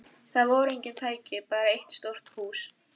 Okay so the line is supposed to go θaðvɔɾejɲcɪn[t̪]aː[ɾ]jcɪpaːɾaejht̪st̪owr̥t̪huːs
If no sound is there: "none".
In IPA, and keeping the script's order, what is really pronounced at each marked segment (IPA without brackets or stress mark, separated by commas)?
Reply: t̪ʰ, none